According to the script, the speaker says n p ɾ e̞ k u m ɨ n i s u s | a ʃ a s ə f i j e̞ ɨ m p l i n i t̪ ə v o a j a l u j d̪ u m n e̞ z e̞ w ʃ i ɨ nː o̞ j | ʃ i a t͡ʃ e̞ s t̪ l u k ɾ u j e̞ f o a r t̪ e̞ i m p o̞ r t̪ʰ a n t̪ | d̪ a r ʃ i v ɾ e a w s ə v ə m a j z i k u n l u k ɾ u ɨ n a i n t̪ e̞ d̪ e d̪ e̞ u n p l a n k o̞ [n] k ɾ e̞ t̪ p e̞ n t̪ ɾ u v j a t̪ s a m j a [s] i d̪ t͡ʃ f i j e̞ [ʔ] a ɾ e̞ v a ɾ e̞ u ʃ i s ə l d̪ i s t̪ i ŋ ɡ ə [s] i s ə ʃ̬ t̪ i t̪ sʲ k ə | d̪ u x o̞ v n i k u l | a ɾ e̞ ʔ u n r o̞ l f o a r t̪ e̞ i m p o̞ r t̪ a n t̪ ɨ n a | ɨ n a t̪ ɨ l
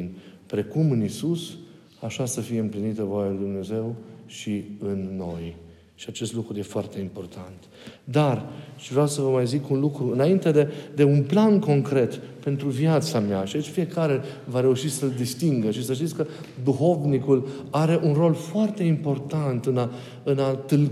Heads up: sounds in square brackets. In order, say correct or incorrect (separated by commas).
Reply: incorrect, incorrect, incorrect, incorrect